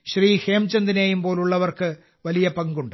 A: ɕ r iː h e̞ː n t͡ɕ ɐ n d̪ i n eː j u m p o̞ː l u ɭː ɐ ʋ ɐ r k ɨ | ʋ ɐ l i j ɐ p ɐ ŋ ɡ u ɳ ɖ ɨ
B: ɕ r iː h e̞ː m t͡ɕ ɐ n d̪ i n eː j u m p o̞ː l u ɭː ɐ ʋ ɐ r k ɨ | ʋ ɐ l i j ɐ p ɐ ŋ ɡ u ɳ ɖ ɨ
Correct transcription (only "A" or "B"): B